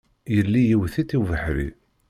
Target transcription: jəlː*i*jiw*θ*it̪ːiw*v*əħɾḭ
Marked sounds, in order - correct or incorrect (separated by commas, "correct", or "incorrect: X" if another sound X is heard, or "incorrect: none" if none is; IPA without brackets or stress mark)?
correct, correct, correct